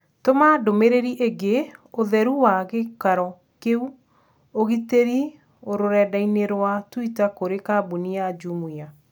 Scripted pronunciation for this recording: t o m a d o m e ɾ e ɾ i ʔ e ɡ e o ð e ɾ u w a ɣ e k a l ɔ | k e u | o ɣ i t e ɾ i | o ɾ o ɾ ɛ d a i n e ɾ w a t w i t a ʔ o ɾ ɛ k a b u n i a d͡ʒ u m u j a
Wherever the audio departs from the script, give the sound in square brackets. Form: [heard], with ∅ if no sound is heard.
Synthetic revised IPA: t o m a d o m e ɾ e ɾ i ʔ e ɡ e o ð [ɛ] ɾ u w a ɣ e k a [ɾ] ɔ | k e u | o ɣ i t e ɾ i | o ɾ o ɾ ɛ d a i n e ɾ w a t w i t a [k] o ɾ [e] k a b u n i a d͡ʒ u m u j a